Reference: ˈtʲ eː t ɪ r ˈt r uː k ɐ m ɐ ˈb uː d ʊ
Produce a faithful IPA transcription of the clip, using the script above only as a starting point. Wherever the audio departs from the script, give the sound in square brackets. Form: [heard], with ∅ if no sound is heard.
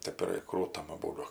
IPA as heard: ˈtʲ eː [p] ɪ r [ˈk] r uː [t] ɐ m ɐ ˈb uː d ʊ